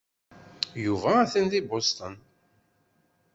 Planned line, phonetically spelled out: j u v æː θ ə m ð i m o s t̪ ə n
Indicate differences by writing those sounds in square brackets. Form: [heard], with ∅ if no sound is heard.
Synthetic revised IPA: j u v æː θ ə [n] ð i [b] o s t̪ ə n